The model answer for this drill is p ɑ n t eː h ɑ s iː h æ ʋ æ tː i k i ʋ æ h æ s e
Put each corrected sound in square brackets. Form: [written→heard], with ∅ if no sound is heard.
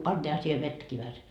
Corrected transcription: p ɑ n t [eː→iː] h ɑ s iː h [æ→e] ʋ [æ→e] tː [i→æ] k i ʋ æ h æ s e

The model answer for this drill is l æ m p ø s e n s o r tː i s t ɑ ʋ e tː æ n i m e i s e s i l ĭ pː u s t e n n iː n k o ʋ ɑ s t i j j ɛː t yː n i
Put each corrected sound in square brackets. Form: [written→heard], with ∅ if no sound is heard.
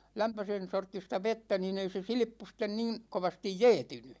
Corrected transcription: l æ m p ø s e n s o r tː i s t ɑ ʋ e tː æ n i [m→n] e i s e s i l ĭ pː u s t e n n iː n k o ʋ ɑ s t i j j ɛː t [yː→y] n [i→y]

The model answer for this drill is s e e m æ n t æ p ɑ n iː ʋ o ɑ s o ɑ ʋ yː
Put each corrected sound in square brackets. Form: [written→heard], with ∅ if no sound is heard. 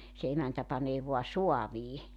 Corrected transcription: s e e m æ n t æ p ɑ n [iː→eː] ʋ o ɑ s o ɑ ʋ [yː→iː]

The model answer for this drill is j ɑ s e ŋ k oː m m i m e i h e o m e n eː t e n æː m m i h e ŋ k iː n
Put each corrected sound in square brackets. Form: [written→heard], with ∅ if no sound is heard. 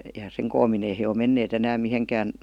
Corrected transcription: j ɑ s e ŋ k oː m m i [m→n] e i h e o m e [n→nː] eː t e n æː m m i h e ŋ k [iː→æː] n

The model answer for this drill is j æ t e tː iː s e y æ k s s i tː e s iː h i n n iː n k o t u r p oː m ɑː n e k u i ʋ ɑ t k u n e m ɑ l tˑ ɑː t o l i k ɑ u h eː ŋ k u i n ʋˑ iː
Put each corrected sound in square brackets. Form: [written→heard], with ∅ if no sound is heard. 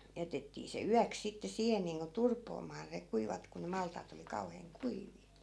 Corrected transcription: j æ t e tː iː s e y æ k s s i tː e s iː h [i→e] n n iː [n→ŋ] k o t u r p oː m ɑː n e k u i ʋ ɑ t k u n e m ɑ l tˑ ɑː t o l i k ɑ u h eː ŋ k u i [n→∅] ʋˑ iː

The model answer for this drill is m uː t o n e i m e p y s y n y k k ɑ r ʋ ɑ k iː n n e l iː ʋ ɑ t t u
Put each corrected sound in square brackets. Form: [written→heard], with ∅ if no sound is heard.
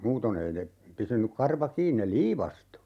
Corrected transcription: m uː t o n e i [m→n] e p y s y n y k k ɑ r ʋ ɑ k iː n n e l iː ʋ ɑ [t→s] t u

